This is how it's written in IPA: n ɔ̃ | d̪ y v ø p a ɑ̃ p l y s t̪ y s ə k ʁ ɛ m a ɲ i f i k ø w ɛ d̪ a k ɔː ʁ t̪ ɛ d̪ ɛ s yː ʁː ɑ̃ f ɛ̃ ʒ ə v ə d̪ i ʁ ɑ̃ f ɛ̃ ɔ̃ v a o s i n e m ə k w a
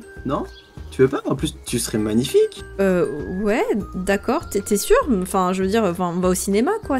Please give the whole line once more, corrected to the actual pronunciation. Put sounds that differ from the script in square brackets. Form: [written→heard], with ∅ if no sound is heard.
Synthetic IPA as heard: n ɔ̃ | [d̪→t̪] y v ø p a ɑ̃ p l y s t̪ y s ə [k→∅] ʁ ɛ m a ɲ i f i k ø w ɛ d̪ a k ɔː ʁ t̪ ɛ [d̪→t̪] ɛ s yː [ʁː→ʁ] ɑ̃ f ɛ̃ ʒ ə v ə d̪ i ʁ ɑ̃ f ɛ̃ ɔ̃ v a o s i n e m [ə→a] k w a